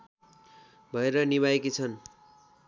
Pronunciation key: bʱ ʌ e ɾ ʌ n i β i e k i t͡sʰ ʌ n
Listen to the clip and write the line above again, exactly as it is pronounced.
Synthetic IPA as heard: bʱ ʌ e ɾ ʌ n i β a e k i t͡sʰ ʌ n

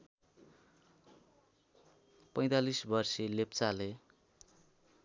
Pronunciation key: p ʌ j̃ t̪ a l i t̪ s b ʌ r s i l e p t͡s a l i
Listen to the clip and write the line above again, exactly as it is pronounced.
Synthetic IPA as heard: p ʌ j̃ t̪ a l i s b ʌ r s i l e p t͡s a l e

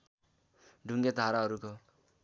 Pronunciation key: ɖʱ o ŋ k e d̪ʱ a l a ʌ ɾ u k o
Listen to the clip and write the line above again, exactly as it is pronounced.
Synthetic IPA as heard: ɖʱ u ŋ ɡ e d̪ʱ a ɾ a ʌ ɾ u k o

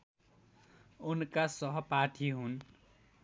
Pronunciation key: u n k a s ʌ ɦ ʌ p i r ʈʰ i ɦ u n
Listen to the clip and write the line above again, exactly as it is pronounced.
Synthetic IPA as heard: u n k a s ʌ ɦ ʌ p a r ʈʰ i ɦ u n

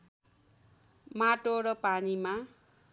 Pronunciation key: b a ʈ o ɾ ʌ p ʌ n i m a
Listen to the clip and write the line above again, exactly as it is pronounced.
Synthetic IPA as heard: m a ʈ o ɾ ʌ p a n i m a

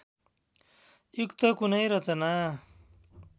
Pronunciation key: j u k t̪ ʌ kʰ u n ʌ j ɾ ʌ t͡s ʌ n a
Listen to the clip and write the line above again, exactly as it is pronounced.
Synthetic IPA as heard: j u k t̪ ʌ k u n ʌ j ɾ ʌ t͡s ʌ n a

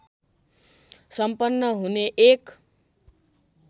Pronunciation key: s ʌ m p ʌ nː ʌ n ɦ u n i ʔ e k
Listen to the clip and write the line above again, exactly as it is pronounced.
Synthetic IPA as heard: s ʌ m p ʌ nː ʌ ɦ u n e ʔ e k

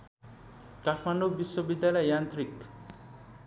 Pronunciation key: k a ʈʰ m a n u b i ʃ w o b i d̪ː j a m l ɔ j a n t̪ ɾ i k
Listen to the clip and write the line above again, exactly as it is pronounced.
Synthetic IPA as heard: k a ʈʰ m a n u b i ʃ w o b i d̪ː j a l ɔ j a n t̪ ɾ i k

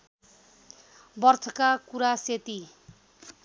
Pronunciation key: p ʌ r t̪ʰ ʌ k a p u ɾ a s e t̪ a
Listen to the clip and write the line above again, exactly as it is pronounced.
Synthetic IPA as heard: b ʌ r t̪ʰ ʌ k a k u ɾ a s e t̪ i

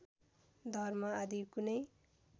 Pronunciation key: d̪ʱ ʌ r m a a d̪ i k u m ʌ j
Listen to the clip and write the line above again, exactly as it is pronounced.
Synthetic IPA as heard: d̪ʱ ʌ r m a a d̪ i k u n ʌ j

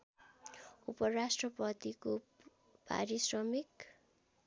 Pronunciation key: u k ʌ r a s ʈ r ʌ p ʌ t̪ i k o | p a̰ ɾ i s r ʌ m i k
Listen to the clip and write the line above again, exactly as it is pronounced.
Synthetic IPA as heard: u p ʌ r a s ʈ r ʌ p ʌ t̪ i k o | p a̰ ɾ i s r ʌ m i k

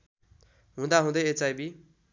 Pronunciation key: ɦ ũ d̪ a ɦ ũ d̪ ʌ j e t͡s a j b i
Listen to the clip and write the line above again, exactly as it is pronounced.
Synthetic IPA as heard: ɦ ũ d̪ a ɦ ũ d̪ ʌ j e t͡s a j b i

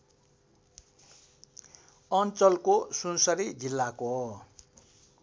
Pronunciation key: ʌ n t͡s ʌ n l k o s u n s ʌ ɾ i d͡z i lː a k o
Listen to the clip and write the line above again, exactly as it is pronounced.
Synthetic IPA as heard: ʌ n t͡s ʌ l k o s u n s ʌ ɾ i d͡z i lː a k o

